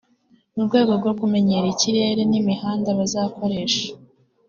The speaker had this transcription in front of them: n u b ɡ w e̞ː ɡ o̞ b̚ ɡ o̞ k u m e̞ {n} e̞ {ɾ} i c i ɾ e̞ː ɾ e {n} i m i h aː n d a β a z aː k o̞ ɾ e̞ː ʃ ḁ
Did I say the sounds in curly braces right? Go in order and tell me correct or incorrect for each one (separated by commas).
incorrect, correct, correct